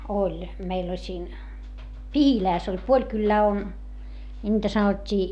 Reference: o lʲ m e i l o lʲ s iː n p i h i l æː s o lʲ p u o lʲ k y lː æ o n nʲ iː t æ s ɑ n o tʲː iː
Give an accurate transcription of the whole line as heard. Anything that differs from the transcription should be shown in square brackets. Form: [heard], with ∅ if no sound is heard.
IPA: o lʲ m e i l o lʲ s iː n p i h i l æː s o lʲ p u o lʲ k y lː [æː] o n nʲ iː t æ s ɑ n o tʲː iː